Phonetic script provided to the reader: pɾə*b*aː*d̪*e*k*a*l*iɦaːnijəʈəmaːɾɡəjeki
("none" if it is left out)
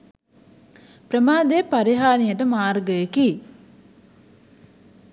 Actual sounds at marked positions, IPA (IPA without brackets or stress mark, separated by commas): m, d̪, p, ɾ